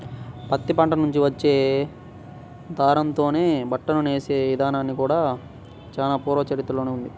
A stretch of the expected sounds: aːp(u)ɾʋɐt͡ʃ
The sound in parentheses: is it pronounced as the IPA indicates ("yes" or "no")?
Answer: no